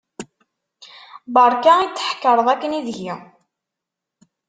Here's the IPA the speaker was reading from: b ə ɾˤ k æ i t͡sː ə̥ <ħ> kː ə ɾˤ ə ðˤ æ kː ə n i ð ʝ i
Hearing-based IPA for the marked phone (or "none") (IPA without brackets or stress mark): ħ